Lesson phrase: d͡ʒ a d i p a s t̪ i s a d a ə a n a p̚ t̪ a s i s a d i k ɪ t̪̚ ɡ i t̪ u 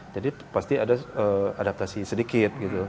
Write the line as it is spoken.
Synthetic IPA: d͡ʒ a d i p a s t̪ i a d a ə a d a p̚ t̪ a s i s ə d i k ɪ t̪̚ ɡ i t̪ u